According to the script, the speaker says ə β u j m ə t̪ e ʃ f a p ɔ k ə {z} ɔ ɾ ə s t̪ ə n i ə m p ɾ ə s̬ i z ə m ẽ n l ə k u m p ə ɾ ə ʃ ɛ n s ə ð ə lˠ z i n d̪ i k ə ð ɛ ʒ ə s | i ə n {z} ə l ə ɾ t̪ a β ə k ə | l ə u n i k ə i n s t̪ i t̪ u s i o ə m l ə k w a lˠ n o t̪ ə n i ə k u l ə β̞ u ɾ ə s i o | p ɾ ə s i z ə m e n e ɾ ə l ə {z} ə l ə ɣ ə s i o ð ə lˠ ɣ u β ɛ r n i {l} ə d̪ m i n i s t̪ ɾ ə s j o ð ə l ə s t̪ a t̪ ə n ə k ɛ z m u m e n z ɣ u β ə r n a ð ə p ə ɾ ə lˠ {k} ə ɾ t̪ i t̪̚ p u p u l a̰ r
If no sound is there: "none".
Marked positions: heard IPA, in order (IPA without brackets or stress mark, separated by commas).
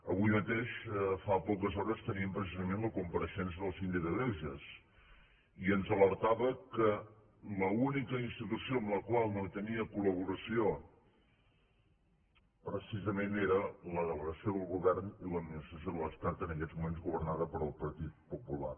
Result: z, z, ð, l, p